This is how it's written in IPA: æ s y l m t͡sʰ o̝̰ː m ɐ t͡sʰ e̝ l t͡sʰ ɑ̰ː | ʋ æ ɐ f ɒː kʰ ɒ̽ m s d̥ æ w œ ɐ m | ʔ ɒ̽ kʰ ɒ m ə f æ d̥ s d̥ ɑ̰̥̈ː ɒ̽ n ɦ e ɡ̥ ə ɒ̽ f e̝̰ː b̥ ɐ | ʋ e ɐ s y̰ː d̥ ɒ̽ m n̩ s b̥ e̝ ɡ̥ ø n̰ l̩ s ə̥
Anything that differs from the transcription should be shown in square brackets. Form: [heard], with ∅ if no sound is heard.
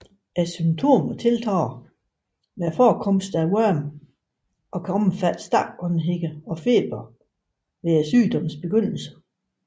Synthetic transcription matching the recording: æ s y [∅] m t͡sʰ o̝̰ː m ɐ t͡sʰ e̝ l t͡sʰ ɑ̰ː | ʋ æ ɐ f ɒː kʰ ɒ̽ m s d̥ æ w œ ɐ m | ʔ ɒ̽ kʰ ɒ m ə f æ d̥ s d̥ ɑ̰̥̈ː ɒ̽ n ɦ e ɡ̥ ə ɒ̽ f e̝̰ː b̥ ɐ | ʋ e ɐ s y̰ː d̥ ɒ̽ m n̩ s b̥ e̝ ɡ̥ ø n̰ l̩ s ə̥